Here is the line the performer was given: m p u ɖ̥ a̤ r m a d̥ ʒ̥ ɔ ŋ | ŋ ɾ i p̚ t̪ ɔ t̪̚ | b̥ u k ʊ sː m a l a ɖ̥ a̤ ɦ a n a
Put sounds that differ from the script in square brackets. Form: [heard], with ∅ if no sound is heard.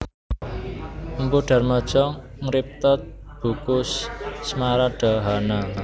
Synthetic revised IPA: m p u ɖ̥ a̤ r m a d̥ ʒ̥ ɔ ŋ | ŋ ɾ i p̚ t̪ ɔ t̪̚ | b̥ u k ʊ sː m a [ɾ] a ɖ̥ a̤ ɦ a n a